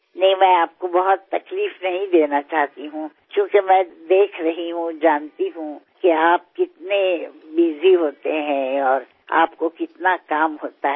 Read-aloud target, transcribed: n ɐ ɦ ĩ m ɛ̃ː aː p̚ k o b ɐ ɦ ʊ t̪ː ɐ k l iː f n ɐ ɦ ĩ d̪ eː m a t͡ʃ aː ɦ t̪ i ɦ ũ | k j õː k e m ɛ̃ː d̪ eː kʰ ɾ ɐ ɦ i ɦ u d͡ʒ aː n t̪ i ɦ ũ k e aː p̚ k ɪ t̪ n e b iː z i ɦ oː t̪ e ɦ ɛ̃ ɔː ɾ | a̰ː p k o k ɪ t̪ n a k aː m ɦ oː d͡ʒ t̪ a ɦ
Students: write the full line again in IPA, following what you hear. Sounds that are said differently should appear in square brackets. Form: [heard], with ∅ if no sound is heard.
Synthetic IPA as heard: n ɐ ɦ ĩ m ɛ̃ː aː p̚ k o b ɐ ɦ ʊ t̪ː ɐ k l iː f n ɐ ɦ ĩ d̪ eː [n] a t͡ʃ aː ɦ t̪ i ɦ ũ | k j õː k e m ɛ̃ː d̪ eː kʰ ɾ ɐ ɦ i ɦ [ũ] d͡ʒ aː n t̪ i ɦ ũ k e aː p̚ k ɪ t̪ n e b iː z i ɦ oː t̪ e ɦ ɛ̃ ɔː ɾ | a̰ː p k o k ɪ t̪ n a k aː m ɦ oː [∅] t̪ a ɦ